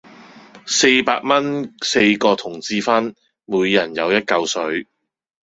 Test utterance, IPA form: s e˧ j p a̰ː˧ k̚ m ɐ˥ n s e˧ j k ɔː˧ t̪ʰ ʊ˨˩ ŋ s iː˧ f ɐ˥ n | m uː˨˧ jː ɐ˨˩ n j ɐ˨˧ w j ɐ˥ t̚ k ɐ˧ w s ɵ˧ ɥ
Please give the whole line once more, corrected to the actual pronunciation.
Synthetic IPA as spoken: s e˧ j p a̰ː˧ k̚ m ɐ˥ n s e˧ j k ɔː˧ t̪ʰ ʊ˨˩ ŋ t͡s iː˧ f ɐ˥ n | m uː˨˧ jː ɐ˨˩ n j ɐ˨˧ w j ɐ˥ t̚ k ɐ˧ w s ɵ˨˥ ɥ